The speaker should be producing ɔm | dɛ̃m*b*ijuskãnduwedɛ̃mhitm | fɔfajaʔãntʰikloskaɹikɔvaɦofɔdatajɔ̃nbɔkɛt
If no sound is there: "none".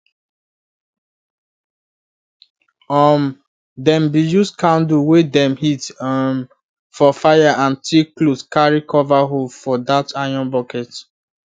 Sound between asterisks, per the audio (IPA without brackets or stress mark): b